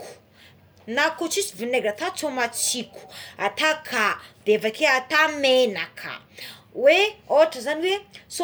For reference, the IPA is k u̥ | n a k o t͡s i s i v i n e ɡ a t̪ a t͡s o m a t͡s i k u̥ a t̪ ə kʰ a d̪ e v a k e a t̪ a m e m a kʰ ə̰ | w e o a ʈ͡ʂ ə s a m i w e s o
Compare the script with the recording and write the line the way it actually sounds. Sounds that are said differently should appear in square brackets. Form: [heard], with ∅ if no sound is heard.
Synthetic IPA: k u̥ | n a k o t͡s i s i v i n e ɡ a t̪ a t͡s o m a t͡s i k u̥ a t̪ [a] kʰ a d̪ e v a k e a t̪ a m e [n] a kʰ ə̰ | w e o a ʈ͡ʂ ə [z] a [n] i w e s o